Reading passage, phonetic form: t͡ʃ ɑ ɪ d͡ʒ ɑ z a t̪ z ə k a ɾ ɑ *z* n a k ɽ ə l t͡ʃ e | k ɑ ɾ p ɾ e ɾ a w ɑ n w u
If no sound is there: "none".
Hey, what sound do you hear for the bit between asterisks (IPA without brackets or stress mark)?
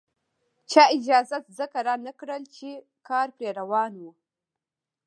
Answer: none